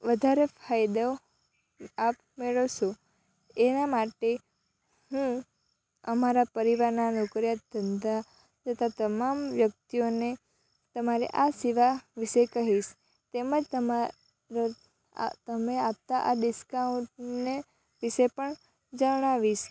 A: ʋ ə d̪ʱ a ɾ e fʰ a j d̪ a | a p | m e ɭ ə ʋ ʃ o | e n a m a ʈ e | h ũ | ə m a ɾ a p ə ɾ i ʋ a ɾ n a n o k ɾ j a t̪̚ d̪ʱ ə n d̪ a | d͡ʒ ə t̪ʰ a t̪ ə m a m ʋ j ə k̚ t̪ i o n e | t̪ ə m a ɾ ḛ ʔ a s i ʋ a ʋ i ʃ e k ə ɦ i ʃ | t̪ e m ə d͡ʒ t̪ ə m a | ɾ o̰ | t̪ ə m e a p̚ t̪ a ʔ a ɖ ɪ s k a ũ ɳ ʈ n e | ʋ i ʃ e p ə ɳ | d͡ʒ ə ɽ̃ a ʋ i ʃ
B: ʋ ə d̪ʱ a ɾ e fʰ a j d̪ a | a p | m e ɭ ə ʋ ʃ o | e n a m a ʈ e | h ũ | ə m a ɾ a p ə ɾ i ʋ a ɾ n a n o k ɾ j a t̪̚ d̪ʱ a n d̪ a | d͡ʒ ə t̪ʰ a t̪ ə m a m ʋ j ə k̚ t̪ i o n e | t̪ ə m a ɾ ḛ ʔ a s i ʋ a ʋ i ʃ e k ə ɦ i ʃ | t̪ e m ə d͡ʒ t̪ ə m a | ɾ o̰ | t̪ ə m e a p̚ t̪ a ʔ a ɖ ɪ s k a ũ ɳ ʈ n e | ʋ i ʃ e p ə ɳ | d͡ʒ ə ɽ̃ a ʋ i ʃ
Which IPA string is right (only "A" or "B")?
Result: A